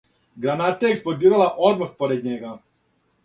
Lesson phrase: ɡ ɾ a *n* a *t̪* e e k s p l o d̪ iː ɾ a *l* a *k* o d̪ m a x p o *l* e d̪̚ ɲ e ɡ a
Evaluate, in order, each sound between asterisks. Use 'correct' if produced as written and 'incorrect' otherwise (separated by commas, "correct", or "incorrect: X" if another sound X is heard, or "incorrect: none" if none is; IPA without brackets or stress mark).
correct, correct, correct, incorrect: ʔ, incorrect: ɾ